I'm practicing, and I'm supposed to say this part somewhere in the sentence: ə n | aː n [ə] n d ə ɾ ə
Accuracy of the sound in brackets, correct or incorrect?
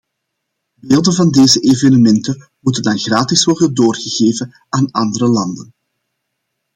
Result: incorrect